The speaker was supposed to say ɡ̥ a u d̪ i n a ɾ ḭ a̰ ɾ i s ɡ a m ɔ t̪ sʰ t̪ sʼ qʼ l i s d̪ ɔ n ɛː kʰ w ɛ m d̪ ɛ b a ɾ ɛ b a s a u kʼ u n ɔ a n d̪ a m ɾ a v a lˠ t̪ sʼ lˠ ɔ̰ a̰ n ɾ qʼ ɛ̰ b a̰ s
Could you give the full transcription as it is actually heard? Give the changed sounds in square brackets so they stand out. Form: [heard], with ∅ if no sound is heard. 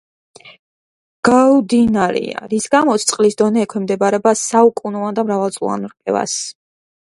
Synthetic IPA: ɡ̥ a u d̪ i n a ɾ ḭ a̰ ɾ i s ɡ a m ɔ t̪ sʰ t̪ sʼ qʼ l i s d̪ ɔ n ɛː kʰ w ɛ m d̪ ɛ b a ɾ ɛ b a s a u kʼ u n ɔ a n d̪ a m ɾ a v a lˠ t̪ sʼ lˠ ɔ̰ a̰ n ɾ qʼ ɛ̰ [v] a̰ s